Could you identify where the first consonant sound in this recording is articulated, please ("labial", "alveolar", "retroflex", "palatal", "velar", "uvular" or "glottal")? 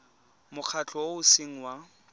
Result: labial